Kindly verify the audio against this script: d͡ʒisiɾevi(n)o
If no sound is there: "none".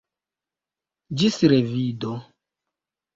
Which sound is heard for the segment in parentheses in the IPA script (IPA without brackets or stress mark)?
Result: d